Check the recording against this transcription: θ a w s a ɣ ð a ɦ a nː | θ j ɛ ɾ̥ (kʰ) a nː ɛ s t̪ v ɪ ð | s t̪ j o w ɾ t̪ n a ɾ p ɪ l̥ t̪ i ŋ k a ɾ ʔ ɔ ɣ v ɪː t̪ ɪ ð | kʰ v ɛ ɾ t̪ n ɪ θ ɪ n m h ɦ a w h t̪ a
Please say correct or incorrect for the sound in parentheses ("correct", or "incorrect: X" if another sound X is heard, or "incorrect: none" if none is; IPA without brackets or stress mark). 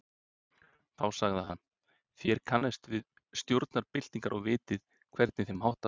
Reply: correct